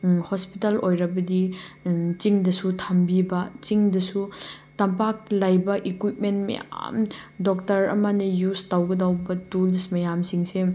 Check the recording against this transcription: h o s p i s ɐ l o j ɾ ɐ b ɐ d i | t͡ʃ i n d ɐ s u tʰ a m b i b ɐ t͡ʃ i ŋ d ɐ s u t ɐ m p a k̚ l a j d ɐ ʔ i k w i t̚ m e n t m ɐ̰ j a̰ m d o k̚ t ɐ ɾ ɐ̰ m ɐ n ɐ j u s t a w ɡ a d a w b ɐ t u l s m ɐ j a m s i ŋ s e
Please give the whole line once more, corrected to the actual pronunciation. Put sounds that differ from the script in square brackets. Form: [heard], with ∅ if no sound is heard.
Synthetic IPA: h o s p i [t] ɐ l o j ɾ ɐ b ɐ d i | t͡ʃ i [ŋ] d ɐ s u tʰ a m b i b ɐ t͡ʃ i ŋ d ɐ s u t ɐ m p a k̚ l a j [b] ɐ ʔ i k w i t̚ m e n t m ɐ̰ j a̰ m d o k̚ t ɐ ɾ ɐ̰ m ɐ n ɐ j u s t a w ɡ [ɐ] d a w b ɐ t u l s m ɐ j a m s i ŋ s e